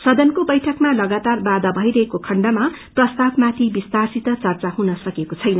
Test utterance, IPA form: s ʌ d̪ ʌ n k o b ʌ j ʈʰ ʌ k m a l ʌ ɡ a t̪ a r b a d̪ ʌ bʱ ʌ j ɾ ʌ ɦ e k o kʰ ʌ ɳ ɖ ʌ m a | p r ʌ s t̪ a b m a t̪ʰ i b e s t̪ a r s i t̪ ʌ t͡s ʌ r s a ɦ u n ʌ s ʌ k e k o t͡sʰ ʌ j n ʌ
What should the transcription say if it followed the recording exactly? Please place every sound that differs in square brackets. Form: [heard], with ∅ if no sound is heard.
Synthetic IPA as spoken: s ʌ d̪ ʌ n k o b ʌ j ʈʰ ʌ k m a l ʌ ɡ a t̪ a r b a d̪ ʌ bʱ ʌ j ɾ ʌ ɦ e k o kʰ ʌ ɳ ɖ ʌ m a | p r ʌ s t̪ a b m a t̪ʰ i b [i] s t̪ a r s i t̪ ʌ t͡s ʌ r [t͡s] a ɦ u n ʌ s ʌ k e k o t͡sʰ ʌ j n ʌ

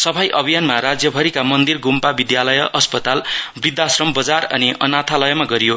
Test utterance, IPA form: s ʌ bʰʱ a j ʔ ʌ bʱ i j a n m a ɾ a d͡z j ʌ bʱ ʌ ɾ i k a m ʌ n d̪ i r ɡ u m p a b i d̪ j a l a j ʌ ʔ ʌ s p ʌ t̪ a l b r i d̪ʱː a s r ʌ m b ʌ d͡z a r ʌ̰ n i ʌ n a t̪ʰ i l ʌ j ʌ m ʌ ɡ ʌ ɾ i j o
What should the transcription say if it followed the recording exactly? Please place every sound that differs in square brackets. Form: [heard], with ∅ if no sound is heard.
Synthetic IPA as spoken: s ʌ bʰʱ a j ʔ ʌ bʱ i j a n m a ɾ a d͡z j ʌ bʱ ʌ ɾ i k a m ʌ n d̪ i r ɡ u m p a b i d̪ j a l [ʌ] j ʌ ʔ ʌ s p ʌ t̪ a l b r i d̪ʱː a s r ʌ m b ʌ d͡z a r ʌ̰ n i ʌ n a t̪ʰ [a] l ʌ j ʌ m [a] ɡ ʌ ɾ i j o

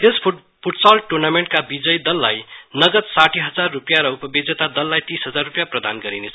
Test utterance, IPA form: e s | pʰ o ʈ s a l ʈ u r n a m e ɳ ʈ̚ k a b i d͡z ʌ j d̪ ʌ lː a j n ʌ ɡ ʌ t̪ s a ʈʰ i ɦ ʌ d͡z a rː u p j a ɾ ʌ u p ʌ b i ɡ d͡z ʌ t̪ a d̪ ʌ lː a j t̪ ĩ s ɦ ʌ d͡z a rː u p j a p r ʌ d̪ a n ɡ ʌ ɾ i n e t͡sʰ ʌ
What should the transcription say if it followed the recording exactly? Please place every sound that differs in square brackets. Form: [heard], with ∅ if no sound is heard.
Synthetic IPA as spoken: e s | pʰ [u] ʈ s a l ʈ u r n a m e ɳ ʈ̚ k a b i d͡z ʌ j d̪ ʌ lː a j n ʌ ɡ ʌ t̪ s a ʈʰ i ɦ ʌ d͡z a rː u p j a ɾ ʌ u p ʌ b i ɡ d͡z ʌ t̪ a d̪ ʌ lː a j t̪ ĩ s ɦ ʌ d͡z a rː u p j a p r ʌ d̪ a n ɡ ʌ ɾ i n e t͡sʰ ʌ

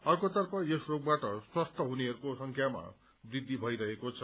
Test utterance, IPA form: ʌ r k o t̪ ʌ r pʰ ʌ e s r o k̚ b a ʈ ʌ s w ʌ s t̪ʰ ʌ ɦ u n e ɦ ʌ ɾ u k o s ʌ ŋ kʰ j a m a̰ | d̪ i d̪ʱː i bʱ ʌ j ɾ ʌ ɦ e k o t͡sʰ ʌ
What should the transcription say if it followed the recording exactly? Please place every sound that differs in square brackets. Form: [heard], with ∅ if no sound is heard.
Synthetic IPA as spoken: ʌ r k o t̪ ʌ r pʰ ʌ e s r o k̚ b a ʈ ʌ s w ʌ s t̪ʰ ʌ ɦ u n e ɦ ʌ ɾ u k o s ʌ ŋ kʰ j a m a̰ | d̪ i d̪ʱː i bʱ ʌ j ɾ ʌ ɦ e k o t͡sʰ ʌ

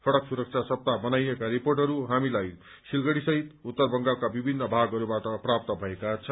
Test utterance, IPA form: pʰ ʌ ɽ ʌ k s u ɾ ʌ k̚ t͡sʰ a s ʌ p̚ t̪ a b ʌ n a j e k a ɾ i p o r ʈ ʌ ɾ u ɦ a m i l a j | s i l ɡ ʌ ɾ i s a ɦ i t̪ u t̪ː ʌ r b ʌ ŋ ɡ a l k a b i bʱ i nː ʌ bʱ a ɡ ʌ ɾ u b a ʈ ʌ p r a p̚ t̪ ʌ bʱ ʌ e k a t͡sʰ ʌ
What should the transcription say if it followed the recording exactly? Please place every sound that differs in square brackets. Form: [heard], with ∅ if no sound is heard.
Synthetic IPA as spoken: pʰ ʌ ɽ ʌ k s u ɾ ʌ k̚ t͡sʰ a s ʌ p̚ t̪ a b ʌ n a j e k a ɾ i p o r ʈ ʌ ɾ u ɦ a m i l a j | s i l ɡ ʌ [ɽ] i s [ʌ] ɦ i t̪ u t̪ː ʌ r b ʌ ŋ ɡ a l k a b i bʱ i nː ʌ bʱ a ɡ ʌ ɾ u b a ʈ ʌ p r a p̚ t̪ ʌ bʱ ʌ e k a t͡sʰ ʌ

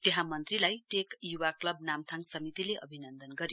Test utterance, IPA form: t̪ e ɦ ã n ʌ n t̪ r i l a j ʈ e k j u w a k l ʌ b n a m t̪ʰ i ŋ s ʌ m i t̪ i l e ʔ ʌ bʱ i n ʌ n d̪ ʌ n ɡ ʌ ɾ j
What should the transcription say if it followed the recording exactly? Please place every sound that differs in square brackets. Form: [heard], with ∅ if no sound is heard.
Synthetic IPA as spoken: t̪ e ɦ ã [m] ʌ n t̪ r i l a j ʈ e k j u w a k l ʌ b n a m t̪ʰ [a] ŋ s ʌ m i t̪ i l e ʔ ʌ bʱ i n ʌ n d̪ ʌ n ɡ ʌ ɾ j

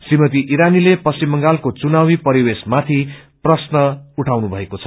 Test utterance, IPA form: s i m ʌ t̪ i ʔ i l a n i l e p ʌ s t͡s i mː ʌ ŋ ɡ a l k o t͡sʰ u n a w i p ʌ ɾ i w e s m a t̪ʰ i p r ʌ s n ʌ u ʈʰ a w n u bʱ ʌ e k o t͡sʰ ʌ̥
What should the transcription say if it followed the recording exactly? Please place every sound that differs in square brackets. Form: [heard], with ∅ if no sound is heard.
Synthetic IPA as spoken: s i m ʌ t̪ i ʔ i [ɾ] a n i l e p ʌ s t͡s i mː ʌ ŋ ɡ a l k o [t͡s] u n a w i p ʌ ɾ i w e s m a t̪ʰ i p r ʌ s n ʌ u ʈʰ a w n u bʱ ʌ e k o t͡sʰ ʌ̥

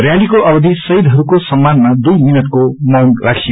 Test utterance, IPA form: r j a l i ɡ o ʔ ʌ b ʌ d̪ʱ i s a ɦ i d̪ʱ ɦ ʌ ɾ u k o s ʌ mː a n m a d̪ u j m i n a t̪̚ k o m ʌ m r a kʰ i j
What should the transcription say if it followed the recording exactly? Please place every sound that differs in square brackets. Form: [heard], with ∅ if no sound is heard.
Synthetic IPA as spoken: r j a l i [k] o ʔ ʌ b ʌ d̪ʱ i s [ʌ] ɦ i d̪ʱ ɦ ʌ ɾ u k o s ʌ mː a n m a d̪ u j m i n [ʌ] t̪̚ k o m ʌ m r a kʰ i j

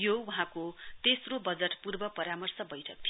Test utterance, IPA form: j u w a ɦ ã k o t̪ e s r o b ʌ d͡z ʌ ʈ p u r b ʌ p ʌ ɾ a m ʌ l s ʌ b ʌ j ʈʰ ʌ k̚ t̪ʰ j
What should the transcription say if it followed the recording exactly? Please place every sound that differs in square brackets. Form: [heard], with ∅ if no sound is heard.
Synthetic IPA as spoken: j [o] w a ɦ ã k o t̪ e s r o b ʌ d͡z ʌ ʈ p u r b ʌ p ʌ ɾ a m ʌ [r] s ʌ b ʌ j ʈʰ ʌ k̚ t̪ʰ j

